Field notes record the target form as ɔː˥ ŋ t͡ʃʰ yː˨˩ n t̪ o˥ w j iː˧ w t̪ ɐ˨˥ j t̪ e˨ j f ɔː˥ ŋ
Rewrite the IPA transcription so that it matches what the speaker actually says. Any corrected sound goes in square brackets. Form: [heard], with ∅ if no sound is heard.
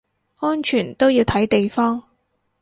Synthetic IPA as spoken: ɔː˥ [n] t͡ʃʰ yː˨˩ n t̪ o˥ w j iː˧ w [t̪ʰ] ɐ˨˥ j t̪ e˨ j f ɔː˥ ŋ